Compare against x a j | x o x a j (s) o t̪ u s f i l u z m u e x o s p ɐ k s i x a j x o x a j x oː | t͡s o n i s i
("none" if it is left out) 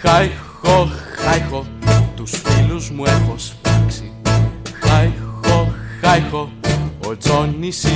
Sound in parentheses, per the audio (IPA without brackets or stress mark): x